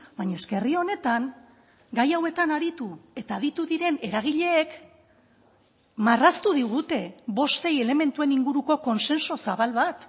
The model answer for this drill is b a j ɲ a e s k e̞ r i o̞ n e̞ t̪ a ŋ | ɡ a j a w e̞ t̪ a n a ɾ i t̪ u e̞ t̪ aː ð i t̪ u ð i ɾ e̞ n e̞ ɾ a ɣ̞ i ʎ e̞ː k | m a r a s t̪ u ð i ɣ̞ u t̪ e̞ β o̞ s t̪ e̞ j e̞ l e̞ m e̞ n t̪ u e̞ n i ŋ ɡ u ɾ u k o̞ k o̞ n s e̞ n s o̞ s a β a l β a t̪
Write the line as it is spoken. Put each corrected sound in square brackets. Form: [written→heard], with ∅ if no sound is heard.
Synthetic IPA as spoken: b a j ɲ a e s k e̞ r i o̞ n e̞ t̪ a ŋ | ɡ a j a w e̞ t̪ a n a ɾ i t̪ u e̞ t̪ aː ð i t̪ u ð i ɾ e̞ n e̞ ɾ a ɣ̞ i ʎ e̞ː k | m a r a s t̪ u ð i ɣ̞ u t̪ e̞ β o̞ s t̪ e̞ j e̞ l e̞ m e̞ n t̪ u e̞ n i ŋ ɡ u ɾ u k o̞ k o̞ n s e̞ n s o̞ s a β a l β a t̪